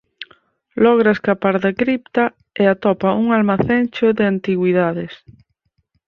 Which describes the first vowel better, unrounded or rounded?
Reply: rounded